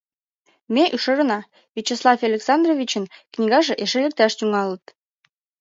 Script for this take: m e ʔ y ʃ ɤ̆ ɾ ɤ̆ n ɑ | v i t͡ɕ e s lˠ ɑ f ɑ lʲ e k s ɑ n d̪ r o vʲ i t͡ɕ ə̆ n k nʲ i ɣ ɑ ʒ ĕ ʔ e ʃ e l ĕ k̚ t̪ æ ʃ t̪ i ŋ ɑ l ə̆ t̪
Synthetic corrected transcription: m e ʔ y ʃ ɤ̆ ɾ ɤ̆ n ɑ | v i t͡ɕ e s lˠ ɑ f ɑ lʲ e k s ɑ n d̪ r o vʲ i t͡ɕ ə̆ n k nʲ i ɣ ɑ ʒ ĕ ʔ e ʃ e l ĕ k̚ t̪ æ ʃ t̪ y ŋ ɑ l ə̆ t̪